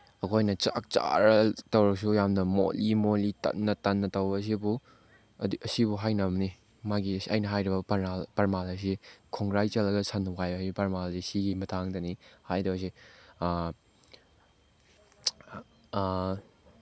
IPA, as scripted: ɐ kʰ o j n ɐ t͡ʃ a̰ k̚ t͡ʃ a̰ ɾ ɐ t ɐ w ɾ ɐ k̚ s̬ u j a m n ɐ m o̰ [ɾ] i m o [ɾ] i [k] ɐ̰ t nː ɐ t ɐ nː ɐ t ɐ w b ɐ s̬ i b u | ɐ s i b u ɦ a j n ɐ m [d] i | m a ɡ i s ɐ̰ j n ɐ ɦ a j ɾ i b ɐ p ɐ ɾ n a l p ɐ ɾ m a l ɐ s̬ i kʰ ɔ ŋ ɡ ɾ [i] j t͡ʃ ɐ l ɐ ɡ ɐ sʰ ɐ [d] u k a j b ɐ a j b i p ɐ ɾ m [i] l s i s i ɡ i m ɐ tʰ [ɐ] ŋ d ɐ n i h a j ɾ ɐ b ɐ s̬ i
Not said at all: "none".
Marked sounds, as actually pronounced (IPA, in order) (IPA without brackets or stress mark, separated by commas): l, l, t, n, a, n, a, a